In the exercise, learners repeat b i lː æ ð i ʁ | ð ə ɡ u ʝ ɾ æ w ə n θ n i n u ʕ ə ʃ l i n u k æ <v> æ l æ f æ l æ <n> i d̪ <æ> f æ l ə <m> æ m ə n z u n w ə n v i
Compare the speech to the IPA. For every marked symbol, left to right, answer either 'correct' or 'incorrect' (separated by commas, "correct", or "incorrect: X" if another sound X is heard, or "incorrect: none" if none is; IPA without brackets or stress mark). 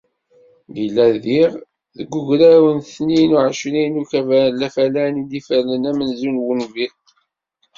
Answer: correct, correct, incorrect: i, incorrect: n